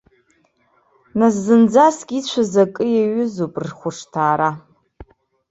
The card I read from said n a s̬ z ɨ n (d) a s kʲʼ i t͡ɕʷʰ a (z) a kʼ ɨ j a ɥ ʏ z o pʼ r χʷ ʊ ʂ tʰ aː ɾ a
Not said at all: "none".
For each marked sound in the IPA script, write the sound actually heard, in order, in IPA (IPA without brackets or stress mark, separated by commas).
d͡z, z